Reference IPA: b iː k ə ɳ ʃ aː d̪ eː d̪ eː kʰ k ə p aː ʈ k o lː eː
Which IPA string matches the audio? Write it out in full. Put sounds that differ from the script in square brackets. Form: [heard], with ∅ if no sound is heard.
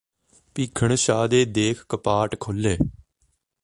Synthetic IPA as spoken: [p] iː [kʰ] ə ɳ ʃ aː d̪ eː d̪ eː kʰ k ə p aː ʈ [kʰ] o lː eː